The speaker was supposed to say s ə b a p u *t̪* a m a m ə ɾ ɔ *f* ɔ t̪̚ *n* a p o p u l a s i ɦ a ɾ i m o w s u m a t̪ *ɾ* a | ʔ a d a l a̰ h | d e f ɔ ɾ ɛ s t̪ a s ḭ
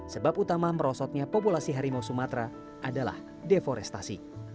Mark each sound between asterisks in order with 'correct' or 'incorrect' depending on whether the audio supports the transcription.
correct, incorrect: s, incorrect: ɲ, correct

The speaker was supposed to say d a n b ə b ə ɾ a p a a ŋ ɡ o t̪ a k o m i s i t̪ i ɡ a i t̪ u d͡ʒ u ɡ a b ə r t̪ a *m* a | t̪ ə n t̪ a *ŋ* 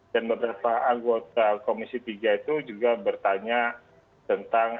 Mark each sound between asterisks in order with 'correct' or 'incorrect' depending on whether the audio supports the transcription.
incorrect: ɲ, correct

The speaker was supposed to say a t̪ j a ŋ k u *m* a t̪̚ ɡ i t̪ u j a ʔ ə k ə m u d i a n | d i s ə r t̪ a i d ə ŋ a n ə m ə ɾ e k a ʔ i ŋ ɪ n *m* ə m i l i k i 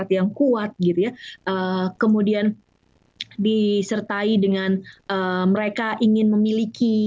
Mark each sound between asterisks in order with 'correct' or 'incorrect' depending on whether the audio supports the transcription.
incorrect: none, correct

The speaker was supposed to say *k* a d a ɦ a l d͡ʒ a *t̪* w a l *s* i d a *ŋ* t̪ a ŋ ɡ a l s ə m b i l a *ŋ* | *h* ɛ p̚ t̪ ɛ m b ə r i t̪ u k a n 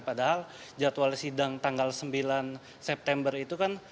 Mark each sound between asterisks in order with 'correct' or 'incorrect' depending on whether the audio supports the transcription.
incorrect: p, correct, correct, correct, incorrect: n, incorrect: s

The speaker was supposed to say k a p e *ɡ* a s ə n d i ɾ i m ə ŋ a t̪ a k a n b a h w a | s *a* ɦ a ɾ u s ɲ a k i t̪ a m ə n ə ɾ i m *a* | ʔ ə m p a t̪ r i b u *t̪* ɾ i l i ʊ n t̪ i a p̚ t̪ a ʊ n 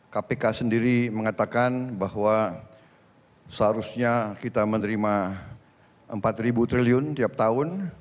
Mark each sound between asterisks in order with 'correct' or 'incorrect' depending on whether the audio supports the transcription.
incorrect: k, incorrect: ə, correct, correct

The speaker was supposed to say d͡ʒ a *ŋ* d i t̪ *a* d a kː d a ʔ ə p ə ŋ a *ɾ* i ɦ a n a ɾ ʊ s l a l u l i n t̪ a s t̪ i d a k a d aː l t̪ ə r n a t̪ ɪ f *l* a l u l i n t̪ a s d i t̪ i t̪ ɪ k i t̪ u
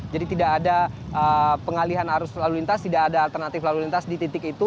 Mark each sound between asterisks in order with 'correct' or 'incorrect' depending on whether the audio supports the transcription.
incorrect: none, incorrect: i, incorrect: l, correct

